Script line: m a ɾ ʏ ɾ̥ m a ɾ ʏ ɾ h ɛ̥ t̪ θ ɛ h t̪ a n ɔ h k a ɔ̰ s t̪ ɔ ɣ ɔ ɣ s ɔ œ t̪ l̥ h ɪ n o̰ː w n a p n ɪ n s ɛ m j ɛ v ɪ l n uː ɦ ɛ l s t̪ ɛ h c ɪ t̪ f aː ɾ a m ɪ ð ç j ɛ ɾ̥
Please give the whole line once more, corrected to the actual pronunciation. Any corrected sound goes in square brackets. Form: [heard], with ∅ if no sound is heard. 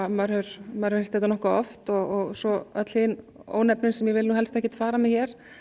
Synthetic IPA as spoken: m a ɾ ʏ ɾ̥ m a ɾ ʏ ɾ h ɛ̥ t̪ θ ɛ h t̪ a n ɔ h k a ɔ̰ [f] t̪ ɔ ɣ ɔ ɣ s ɔ œ t̪ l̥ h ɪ n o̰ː w n [ɛ] p n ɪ n s ɛ m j ɛ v ɪ l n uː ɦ ɛ l s t̪ ɛ h c ɪ t̪ f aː ɾ a m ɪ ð ç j ɛ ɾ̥